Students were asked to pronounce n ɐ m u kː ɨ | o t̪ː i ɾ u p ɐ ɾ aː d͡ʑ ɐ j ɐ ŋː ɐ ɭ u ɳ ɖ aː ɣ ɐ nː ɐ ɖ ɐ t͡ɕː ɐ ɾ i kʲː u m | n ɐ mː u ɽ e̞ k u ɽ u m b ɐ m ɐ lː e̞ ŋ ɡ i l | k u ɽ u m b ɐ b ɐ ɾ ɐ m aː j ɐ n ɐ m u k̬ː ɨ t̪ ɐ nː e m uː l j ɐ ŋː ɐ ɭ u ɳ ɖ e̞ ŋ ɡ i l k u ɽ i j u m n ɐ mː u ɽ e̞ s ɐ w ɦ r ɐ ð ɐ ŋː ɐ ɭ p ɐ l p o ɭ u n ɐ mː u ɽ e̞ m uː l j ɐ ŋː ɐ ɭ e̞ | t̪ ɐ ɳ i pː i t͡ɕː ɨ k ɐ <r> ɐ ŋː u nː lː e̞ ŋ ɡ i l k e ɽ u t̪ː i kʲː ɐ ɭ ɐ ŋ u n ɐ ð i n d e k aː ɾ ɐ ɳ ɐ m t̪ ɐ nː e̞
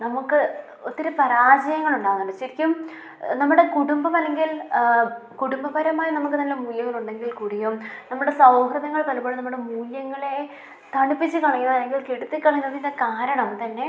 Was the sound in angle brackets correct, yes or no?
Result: no